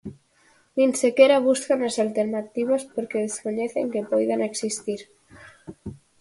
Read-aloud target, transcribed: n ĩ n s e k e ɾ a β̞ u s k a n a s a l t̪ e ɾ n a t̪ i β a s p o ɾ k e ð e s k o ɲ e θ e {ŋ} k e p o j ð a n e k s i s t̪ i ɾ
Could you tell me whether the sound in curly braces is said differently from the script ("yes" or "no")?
no